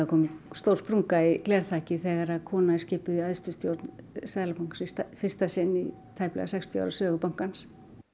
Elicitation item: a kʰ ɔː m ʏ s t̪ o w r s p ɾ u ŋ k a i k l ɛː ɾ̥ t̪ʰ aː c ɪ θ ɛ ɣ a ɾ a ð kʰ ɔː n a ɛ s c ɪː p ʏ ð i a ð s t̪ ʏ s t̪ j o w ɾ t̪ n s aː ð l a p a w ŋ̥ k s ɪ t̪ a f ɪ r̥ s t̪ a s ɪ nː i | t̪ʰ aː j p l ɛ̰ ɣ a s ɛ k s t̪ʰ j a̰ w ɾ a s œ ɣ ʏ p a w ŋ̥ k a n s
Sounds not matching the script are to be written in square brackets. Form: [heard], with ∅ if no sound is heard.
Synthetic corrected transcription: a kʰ ɔː m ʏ s t̪ o w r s p ɾ u ŋ k a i k l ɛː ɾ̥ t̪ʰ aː c ɪ θ ɛ ɣ a ɾ a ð kʰ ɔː n a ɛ s c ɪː p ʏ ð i a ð s t̪ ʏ s t̪ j o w ɾ t̪ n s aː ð l a p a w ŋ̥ k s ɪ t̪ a f ɪ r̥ s t̪ a s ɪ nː i | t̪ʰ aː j p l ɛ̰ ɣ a s ɛ k s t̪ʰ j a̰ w ɾ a s [œː] ɣ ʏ p a w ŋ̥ k a n s